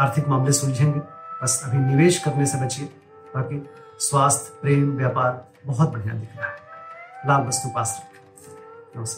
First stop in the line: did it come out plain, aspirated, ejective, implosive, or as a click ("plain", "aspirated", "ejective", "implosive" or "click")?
aspirated